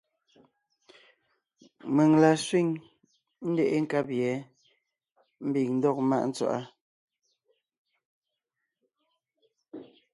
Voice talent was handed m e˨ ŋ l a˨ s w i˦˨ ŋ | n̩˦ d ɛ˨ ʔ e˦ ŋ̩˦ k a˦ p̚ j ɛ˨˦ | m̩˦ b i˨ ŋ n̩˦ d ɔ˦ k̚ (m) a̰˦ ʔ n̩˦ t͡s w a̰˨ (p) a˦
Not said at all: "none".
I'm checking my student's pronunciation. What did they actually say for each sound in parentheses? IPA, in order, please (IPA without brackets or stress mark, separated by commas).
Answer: m, ʔ